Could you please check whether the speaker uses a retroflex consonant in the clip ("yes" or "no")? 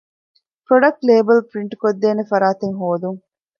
yes